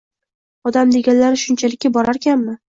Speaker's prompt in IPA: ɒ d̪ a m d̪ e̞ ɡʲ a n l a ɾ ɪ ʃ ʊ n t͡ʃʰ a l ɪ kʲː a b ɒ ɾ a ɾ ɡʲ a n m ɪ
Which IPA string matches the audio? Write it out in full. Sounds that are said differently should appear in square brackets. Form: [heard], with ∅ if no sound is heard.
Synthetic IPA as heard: ɒ d̪ a m d̪ e̞ ɡʲ a n l a ɾ ɪ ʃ ʊ n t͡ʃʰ a l ɪ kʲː a b ɒ ɾ a ɾ [kʲ] a n m ɪ